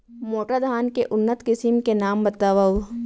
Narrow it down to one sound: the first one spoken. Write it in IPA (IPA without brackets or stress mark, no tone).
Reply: m